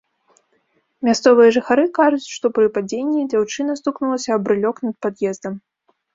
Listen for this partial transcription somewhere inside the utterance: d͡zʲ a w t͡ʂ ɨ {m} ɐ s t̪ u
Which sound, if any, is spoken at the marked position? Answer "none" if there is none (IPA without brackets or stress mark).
n